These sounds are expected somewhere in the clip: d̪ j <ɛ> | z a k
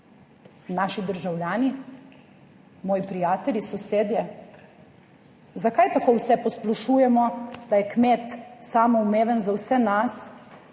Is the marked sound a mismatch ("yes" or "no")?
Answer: no